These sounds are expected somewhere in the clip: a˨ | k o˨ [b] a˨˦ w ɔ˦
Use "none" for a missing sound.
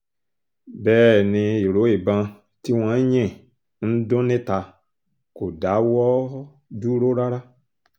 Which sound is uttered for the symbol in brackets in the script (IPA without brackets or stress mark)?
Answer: d